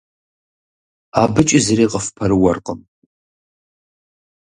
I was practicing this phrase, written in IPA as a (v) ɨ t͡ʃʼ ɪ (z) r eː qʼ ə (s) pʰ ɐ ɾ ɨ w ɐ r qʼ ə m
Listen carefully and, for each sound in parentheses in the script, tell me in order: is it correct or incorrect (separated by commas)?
incorrect, correct, incorrect